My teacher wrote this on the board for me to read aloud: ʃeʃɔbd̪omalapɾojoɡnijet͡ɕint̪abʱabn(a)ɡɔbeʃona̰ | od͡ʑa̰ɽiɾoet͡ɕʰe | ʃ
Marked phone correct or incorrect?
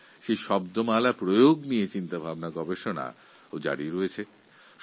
correct